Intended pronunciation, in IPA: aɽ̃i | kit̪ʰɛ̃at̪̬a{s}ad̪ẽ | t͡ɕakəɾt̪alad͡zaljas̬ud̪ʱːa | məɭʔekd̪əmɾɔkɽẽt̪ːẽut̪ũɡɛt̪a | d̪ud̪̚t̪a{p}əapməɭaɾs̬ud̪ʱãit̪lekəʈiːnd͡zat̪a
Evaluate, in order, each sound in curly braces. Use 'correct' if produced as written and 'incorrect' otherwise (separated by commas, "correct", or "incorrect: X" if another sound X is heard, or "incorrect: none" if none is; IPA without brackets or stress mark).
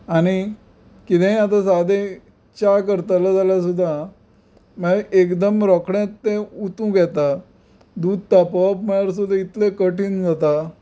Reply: correct, correct